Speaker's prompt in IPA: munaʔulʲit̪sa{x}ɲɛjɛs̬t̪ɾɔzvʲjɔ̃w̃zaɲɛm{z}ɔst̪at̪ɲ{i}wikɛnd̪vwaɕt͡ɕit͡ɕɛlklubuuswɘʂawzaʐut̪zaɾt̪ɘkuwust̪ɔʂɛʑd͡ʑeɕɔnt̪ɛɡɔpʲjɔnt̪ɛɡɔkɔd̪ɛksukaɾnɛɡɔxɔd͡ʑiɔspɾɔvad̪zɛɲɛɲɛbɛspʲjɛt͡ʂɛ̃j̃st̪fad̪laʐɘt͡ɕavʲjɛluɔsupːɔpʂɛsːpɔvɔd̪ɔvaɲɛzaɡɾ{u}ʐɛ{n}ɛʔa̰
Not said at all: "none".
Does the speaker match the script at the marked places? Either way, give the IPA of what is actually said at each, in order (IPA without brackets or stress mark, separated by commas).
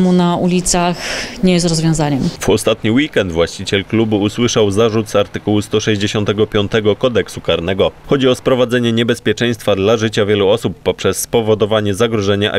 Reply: x, v, i, ɔ, ɲ